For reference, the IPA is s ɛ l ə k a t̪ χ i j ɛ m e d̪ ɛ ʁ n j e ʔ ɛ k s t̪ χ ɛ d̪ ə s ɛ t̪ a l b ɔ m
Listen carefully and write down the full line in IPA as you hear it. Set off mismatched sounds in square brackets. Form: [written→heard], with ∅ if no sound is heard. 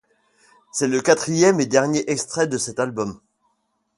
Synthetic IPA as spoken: s ɛ l ə k a t̪ χ i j ɛ m e d̪ ɛ ʁ n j e ʔ ɛ k s t̪ χ ɛ d̪ ə s ɛ t̪ a l b ɔ m